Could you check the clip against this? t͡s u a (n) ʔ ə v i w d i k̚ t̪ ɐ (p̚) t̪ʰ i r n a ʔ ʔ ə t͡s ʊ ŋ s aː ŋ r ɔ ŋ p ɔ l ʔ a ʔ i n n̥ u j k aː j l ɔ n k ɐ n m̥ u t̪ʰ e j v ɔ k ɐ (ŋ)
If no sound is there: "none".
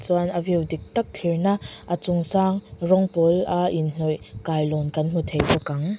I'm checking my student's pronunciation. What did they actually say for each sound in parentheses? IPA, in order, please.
n, k̚, ŋ

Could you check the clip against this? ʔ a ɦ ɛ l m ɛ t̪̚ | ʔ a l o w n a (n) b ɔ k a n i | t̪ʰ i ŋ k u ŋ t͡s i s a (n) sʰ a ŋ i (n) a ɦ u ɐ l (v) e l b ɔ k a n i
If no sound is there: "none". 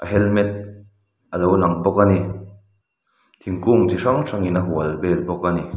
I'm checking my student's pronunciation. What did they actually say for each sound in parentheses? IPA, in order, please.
ŋ, ŋ, n, b

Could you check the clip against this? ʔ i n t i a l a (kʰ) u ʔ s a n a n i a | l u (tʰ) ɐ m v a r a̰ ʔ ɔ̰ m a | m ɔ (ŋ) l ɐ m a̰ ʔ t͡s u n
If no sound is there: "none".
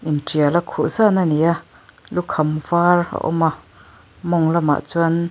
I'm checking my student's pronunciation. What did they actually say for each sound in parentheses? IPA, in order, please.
kʰ, kʰ, ŋ

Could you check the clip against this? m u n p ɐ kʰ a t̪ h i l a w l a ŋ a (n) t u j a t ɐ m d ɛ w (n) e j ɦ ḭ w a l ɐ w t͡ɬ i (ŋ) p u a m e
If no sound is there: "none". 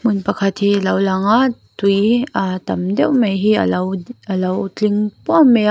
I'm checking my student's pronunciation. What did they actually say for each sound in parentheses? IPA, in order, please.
none, m, ŋ

